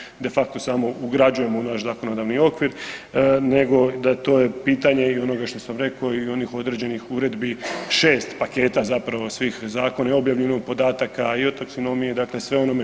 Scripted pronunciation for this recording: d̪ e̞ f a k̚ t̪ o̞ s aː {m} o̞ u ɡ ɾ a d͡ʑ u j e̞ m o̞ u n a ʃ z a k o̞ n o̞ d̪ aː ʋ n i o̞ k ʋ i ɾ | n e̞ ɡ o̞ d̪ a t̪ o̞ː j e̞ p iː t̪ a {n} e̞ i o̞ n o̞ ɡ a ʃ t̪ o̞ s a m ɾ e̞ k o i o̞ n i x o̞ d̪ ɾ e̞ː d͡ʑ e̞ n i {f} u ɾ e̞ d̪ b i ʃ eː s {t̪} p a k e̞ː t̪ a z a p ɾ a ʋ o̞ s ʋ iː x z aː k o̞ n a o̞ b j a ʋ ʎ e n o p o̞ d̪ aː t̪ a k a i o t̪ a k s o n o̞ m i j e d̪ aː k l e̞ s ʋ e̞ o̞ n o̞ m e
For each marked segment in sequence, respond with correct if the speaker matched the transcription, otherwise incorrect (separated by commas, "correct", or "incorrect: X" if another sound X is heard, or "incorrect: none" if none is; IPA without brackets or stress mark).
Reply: correct, incorrect: ɲ, incorrect: x, correct